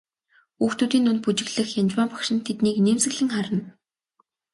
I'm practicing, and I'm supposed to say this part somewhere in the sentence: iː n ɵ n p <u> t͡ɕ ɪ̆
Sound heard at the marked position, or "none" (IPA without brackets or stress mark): u